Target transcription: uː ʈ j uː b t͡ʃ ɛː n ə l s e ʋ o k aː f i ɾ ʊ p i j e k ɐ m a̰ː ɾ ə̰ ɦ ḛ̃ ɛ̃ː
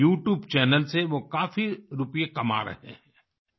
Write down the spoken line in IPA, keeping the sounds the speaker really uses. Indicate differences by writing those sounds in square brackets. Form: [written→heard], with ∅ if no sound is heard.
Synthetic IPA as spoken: uː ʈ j uː b t͡ʃ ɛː n ə l s e ʋ o k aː f i ɾ ʊ p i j e k ɐ m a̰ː ɾ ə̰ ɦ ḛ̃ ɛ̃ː